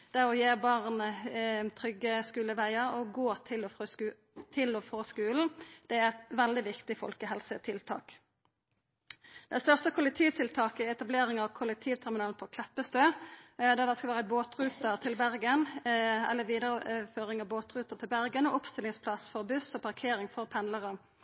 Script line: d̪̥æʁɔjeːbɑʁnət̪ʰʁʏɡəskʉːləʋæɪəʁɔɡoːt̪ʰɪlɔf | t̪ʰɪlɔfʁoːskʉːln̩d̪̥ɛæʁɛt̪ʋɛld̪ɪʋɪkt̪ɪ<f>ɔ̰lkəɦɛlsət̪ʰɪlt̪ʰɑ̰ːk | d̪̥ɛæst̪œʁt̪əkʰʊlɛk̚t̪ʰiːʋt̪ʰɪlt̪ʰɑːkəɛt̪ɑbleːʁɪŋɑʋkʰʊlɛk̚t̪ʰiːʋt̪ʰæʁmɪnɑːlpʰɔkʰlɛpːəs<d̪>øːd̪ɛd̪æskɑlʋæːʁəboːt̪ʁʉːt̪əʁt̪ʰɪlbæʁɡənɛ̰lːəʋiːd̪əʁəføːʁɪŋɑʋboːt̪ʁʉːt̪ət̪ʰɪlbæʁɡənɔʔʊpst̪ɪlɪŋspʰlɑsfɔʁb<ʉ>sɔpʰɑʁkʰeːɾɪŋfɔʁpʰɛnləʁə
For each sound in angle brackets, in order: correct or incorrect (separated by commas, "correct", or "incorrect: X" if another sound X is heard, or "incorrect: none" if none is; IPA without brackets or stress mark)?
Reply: correct, incorrect: t̪, correct